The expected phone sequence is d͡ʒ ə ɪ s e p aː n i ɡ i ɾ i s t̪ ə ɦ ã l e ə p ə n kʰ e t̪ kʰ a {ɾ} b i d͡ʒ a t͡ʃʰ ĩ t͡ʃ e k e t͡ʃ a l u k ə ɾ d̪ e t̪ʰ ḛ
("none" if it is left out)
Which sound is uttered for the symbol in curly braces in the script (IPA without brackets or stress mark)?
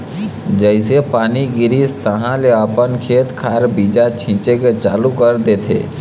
ɾ